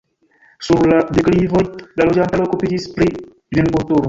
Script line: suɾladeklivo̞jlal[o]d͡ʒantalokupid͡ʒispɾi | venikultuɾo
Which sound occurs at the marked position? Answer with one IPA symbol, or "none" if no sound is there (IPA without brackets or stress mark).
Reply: o